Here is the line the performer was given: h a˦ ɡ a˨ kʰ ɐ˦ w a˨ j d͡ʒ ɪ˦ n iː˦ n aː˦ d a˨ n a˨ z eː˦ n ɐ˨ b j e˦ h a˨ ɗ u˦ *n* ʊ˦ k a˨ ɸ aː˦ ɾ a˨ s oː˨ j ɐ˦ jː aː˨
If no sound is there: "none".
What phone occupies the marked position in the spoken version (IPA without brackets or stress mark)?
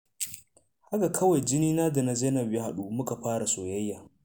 m